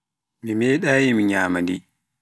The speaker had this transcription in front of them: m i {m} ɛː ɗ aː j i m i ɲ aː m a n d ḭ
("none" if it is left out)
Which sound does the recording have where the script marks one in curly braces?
m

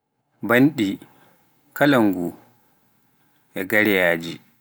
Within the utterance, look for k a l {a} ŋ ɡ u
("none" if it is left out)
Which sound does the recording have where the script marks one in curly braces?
a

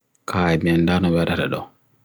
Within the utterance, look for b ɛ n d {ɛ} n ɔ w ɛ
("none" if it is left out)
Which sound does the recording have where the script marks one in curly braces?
a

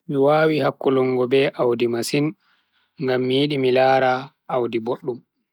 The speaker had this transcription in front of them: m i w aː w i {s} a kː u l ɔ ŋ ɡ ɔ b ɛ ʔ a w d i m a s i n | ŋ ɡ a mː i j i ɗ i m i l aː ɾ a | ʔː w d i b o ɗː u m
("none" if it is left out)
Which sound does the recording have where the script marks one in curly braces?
h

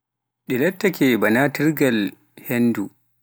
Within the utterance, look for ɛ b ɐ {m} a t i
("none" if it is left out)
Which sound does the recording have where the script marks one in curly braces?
n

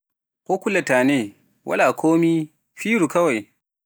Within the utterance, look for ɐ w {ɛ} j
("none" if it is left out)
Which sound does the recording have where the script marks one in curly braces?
a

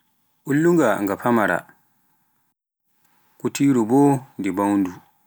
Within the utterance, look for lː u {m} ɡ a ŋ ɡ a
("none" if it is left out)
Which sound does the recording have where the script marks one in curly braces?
ŋ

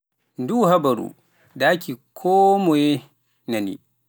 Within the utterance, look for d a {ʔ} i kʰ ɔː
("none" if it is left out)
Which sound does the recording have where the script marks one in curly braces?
k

